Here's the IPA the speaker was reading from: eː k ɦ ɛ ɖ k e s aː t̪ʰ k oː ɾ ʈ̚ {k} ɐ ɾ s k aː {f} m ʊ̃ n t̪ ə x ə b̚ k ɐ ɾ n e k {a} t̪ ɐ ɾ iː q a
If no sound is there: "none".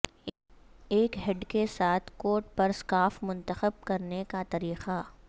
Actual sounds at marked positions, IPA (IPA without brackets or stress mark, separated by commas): p, f, a